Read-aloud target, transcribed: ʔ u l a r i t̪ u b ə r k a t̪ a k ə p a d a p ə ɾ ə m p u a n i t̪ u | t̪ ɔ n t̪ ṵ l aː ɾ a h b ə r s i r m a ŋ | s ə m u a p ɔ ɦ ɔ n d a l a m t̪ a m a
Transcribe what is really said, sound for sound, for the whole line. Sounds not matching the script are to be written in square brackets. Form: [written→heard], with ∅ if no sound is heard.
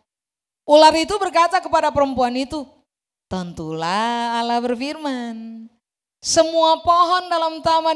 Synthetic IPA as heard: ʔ u l a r i t̪ u b ə r k a t̪ a k ə p a d a p ə ɾ ə m p u a n i t̪ u | t̪ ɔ n t̪ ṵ l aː [ɾ→l] a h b ə r [s→f] i r m a [ŋ→n] | s ə m u a p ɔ ɦ ɔ n d a l a m t̪ a m a

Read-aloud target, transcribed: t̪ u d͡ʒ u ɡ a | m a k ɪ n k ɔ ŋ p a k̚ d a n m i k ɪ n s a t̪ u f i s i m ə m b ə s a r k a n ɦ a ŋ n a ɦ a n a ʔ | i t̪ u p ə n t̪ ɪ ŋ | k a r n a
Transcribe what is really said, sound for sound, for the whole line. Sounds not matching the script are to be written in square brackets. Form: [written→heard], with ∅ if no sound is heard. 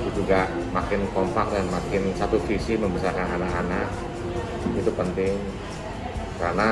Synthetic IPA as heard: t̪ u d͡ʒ u ɡ a | m a k ɪ n k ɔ [ŋ→m] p a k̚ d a n m [i→a] k ɪ n s a t̪ u f i s i m ə m b ə s a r k a n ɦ a [ŋ→∅] n a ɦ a n a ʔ | i t̪ u p ə n t̪ ɪ ŋ | k a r n a

